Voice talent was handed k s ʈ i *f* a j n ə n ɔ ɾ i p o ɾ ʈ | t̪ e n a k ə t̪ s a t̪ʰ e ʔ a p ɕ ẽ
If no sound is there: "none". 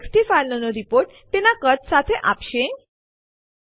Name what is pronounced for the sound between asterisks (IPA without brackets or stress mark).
f